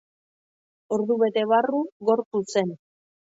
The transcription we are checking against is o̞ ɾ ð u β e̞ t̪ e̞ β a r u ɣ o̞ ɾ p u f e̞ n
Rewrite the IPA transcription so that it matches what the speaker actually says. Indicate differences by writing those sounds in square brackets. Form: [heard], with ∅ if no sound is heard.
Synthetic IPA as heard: o̞ ɾ ð u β e̞ t̪ e̞ β a r u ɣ o̞ ɾ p u [s] e̞ n